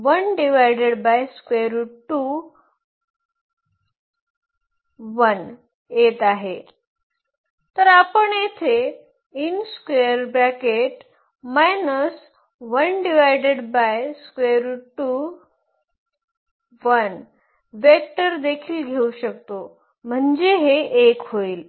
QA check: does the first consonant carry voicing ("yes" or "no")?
yes